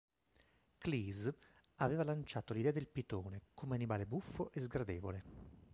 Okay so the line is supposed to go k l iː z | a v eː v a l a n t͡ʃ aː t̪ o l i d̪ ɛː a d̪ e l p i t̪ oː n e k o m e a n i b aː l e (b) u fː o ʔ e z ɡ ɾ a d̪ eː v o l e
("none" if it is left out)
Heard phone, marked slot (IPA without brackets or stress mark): b